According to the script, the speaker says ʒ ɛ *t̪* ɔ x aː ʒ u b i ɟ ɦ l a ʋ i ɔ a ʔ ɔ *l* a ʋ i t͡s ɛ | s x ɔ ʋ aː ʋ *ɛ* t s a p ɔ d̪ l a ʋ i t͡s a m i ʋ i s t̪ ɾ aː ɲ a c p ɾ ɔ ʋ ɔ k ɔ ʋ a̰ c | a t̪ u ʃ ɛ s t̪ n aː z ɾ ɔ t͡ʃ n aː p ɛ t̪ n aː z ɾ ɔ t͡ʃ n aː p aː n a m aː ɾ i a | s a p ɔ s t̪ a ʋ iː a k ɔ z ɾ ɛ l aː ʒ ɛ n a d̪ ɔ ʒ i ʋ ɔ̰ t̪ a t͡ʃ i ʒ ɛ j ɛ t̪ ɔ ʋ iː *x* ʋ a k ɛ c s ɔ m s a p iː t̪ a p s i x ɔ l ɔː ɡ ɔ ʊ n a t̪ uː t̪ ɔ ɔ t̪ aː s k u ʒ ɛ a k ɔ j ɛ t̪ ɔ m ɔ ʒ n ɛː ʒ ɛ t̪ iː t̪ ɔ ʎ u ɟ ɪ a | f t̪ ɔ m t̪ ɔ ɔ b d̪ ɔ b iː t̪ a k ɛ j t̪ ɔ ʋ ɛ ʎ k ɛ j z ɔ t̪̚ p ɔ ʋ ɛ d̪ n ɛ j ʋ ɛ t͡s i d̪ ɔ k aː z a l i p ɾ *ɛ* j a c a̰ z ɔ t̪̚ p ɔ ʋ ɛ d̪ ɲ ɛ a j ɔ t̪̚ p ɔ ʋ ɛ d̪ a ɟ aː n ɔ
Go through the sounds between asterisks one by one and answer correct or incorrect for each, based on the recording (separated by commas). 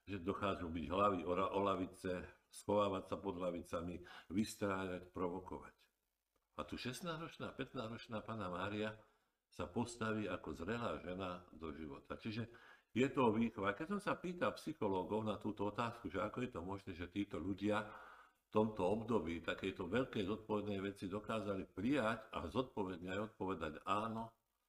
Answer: incorrect, correct, incorrect, correct, incorrect